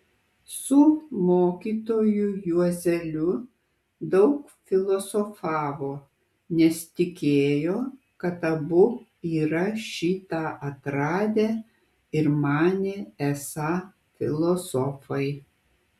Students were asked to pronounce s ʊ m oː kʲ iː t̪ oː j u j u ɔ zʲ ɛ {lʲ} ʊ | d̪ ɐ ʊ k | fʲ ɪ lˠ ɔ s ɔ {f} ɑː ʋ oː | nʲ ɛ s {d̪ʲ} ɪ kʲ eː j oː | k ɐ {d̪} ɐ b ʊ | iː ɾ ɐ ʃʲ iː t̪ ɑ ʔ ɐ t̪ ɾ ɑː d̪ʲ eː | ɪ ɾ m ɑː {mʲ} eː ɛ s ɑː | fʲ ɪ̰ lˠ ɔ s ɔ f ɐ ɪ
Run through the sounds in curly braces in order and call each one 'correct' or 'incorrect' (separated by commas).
correct, correct, incorrect, incorrect, incorrect